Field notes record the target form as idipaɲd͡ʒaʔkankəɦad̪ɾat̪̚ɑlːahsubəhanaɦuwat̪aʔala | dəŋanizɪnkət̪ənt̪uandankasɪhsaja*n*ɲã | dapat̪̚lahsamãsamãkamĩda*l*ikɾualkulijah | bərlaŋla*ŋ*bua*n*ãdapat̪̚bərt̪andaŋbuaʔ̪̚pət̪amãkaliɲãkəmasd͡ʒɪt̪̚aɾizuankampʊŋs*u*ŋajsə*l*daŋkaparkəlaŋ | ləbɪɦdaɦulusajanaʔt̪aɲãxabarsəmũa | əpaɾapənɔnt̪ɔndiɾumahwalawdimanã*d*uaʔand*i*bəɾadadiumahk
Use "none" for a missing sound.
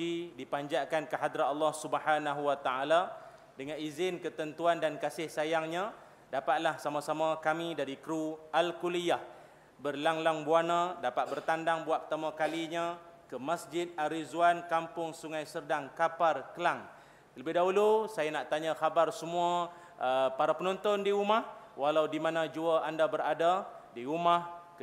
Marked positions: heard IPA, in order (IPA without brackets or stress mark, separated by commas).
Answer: ŋ, ɾ, ŋ, n, u, r, d͡ʒ, a